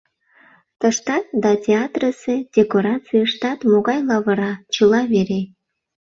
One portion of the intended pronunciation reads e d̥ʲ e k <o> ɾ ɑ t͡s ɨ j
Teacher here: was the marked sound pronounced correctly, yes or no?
yes